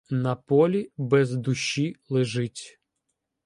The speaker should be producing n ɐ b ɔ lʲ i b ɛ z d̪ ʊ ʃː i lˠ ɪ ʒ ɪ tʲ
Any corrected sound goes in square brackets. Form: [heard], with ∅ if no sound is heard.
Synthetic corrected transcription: n ɐ [p] ɔ lʲ i b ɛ z d̪ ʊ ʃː i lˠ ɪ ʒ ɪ tʲ